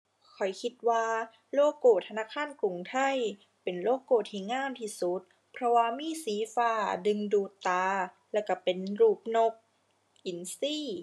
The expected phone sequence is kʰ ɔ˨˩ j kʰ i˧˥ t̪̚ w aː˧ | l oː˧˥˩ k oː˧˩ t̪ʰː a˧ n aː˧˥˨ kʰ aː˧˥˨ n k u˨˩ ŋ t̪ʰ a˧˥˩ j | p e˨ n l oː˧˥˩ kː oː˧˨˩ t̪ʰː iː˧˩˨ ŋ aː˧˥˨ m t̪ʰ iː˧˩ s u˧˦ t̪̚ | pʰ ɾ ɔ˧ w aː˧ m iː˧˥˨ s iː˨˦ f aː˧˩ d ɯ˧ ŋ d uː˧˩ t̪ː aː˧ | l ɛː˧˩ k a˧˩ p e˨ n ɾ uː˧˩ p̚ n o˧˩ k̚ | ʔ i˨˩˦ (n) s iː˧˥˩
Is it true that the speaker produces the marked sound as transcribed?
yes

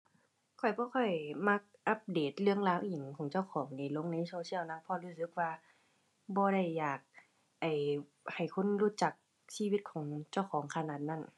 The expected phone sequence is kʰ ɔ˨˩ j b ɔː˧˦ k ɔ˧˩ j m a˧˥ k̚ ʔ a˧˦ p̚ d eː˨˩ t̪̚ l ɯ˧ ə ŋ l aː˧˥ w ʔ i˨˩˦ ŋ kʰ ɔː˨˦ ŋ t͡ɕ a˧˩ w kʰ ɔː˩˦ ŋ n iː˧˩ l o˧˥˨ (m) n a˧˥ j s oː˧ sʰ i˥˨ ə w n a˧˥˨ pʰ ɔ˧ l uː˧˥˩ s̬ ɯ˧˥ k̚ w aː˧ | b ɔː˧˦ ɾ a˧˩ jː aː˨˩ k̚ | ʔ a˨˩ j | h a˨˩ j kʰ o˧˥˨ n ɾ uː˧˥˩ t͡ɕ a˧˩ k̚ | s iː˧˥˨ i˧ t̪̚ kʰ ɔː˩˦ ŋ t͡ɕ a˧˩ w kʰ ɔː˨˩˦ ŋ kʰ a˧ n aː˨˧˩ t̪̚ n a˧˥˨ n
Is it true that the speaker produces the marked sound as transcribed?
no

